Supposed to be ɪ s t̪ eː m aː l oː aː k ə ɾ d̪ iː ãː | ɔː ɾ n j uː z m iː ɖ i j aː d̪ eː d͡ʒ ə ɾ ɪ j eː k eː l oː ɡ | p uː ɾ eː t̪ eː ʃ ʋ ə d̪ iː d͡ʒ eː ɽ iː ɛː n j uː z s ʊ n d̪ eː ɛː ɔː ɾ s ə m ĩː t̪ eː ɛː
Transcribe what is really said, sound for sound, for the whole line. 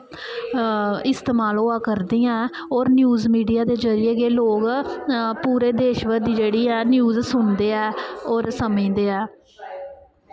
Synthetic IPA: ɪ s t̪ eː m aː l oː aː k ə ɾ d̪ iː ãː | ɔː ɾ n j uː z m iː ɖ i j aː d̪ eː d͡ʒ ə ɾ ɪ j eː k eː l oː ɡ | p uː ɾ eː d̪ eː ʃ ʋ ə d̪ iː d͡ʒ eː ɽ iː ɛː n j uː z s ʊ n d̪ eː ɛː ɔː ɾ s ə m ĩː d̪ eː ɛː